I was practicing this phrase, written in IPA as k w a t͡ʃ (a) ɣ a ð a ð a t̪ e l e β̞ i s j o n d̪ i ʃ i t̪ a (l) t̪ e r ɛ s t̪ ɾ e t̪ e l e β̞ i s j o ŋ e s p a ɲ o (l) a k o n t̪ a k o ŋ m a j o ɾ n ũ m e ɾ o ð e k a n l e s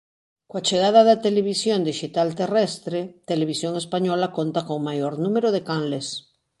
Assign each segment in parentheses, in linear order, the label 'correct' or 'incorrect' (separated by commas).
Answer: incorrect, correct, correct